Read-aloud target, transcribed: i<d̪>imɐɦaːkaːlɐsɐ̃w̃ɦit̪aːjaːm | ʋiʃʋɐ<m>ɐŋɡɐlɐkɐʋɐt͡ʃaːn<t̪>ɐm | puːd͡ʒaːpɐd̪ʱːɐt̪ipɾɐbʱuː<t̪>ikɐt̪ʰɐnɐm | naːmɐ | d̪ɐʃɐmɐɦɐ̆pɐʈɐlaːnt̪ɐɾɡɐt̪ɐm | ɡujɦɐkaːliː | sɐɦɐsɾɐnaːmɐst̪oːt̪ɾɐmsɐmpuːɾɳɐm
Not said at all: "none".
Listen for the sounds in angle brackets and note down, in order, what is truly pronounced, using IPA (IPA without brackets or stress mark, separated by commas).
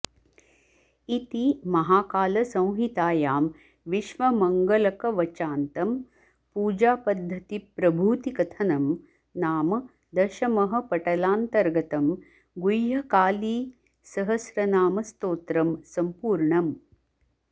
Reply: t̪, m, t̪, t̪